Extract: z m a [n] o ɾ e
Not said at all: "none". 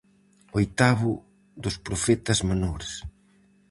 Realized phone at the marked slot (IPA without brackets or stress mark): n